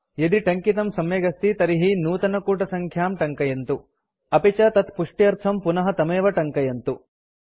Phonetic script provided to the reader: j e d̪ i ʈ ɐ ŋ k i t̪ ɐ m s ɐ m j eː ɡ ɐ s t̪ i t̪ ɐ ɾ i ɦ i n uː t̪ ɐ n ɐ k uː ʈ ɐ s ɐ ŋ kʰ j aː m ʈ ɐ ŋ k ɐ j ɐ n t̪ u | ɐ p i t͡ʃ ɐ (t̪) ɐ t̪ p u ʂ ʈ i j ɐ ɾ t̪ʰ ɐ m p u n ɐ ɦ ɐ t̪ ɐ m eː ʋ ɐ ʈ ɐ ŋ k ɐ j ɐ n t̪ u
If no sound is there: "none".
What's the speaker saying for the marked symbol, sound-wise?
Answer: t̪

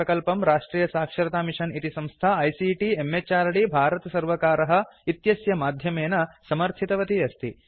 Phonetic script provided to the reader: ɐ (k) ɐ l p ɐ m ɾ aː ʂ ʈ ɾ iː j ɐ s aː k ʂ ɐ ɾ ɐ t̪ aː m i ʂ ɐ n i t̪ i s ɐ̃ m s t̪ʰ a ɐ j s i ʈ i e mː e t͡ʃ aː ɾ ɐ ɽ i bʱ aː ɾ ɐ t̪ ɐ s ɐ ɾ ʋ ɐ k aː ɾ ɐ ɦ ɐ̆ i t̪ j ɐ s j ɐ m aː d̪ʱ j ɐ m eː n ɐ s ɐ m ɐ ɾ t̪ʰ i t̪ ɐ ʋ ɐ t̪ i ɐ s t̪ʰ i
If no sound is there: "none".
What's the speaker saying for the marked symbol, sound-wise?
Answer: k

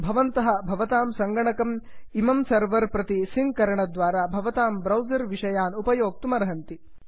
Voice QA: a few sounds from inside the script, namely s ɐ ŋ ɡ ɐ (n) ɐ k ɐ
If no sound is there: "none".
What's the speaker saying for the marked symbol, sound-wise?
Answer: ɳ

